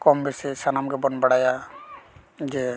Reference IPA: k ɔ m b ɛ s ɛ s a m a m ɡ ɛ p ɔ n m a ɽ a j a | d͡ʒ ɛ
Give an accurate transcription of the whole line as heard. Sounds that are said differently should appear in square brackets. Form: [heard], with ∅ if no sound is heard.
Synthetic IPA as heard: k ɔ m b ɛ s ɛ s a [n] a m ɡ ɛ [b] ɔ n [b] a ɽ a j a | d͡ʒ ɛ